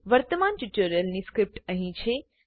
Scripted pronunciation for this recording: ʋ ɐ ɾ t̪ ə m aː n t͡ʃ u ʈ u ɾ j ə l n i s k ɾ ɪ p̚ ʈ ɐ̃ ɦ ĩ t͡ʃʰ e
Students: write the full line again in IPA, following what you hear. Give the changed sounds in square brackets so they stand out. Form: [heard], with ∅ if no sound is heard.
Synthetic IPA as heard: ʋ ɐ ɾ t̪ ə m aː n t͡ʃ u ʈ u ɾ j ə l n i s k ɾ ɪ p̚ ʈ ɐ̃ ɦ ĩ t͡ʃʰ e